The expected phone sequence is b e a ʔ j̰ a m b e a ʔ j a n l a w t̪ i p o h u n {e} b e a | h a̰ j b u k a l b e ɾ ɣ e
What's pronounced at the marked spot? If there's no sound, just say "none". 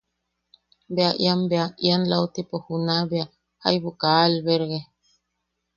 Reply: a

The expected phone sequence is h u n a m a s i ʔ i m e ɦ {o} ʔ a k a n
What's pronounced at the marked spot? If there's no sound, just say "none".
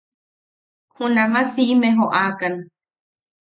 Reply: o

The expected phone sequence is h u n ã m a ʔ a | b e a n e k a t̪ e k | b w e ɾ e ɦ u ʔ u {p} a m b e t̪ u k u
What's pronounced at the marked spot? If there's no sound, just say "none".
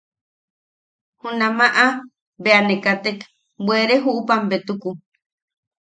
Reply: p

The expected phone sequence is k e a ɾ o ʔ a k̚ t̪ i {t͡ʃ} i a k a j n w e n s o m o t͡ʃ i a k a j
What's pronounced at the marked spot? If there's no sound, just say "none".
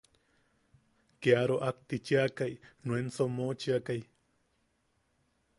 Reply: t͡ʃ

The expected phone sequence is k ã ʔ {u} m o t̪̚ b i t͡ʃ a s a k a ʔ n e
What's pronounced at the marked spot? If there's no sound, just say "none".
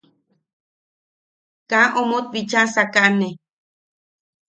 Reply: o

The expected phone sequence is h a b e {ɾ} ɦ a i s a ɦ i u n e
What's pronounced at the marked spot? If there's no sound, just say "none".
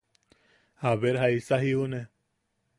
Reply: ɾ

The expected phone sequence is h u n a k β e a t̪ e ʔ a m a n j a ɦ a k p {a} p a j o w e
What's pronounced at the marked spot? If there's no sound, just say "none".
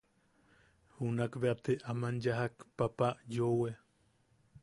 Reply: a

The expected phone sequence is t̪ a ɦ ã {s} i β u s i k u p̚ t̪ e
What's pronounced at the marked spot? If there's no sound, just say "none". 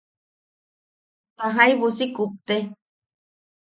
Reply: none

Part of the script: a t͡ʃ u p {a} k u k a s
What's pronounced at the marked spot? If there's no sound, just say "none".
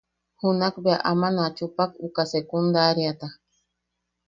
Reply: a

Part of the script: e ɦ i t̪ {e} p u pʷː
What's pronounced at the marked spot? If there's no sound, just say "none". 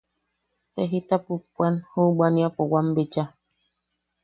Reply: a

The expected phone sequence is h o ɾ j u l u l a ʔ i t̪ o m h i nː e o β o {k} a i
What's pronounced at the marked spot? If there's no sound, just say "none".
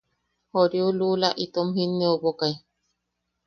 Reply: k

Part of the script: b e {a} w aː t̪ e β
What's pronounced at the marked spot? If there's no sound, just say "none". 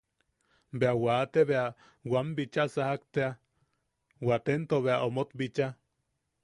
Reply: a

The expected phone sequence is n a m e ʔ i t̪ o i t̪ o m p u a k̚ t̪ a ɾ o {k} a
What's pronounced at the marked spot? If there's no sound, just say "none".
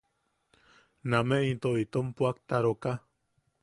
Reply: k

